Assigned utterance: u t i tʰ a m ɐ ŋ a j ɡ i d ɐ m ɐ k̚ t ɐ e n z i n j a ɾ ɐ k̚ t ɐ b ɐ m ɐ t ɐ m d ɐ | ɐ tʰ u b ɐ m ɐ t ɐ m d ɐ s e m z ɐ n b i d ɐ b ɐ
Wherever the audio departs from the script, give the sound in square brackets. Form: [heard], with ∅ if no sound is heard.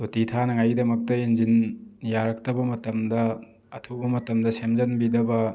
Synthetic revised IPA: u t i tʰ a [n] ɐ ŋ a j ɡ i d ɐ m ɐ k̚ t ɐ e n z i n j a ɾ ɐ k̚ t ɐ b ɐ m ɐ t ɐ m d ɐ | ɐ tʰ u b ɐ m ɐ t ɐ m d ɐ s e m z ɐ n b i d ɐ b ɐ